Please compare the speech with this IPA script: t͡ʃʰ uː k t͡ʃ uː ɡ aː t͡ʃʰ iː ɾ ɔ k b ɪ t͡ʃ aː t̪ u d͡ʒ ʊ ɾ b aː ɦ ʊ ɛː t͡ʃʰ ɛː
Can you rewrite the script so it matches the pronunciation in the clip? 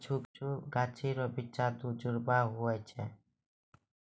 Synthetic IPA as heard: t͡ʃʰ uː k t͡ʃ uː ɡ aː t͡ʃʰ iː ɾ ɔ b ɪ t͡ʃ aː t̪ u d͡ʒ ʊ ɾ b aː ɦ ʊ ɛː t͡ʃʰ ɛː